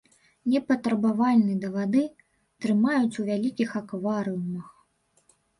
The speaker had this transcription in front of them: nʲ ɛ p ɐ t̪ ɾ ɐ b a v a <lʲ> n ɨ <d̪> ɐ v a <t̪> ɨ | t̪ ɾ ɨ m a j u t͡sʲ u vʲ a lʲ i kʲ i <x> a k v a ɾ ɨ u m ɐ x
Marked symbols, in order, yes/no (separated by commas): yes, yes, no, yes